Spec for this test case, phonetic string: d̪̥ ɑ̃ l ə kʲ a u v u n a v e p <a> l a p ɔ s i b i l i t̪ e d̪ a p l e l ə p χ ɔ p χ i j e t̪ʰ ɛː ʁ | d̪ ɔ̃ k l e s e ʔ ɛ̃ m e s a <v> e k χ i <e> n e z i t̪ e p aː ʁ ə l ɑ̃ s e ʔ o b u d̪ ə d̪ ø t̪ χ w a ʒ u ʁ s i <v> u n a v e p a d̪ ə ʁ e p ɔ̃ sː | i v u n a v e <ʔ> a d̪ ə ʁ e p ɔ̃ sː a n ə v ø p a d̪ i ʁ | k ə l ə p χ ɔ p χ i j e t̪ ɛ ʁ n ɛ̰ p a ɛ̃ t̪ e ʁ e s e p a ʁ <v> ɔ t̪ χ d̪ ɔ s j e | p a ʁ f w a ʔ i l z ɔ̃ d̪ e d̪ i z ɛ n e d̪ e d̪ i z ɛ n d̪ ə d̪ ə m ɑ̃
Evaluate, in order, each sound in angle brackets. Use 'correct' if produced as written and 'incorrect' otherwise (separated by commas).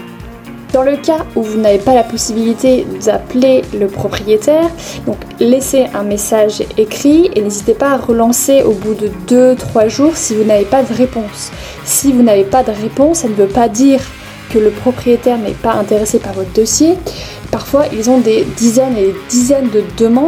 correct, incorrect, correct, correct, incorrect, correct